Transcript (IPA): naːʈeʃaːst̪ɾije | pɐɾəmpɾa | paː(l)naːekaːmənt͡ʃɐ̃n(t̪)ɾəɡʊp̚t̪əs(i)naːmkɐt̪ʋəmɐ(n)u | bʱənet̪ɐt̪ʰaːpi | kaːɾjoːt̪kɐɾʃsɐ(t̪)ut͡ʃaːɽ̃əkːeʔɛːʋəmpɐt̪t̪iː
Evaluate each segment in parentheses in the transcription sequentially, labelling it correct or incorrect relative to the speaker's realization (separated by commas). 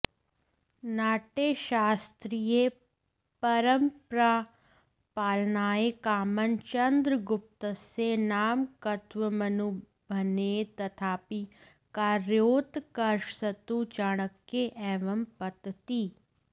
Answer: correct, incorrect, incorrect, correct, correct